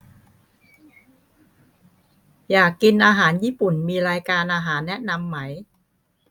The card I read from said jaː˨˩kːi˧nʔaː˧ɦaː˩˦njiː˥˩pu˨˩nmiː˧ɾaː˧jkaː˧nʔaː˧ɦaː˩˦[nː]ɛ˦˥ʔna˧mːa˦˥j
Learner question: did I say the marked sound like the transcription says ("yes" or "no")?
yes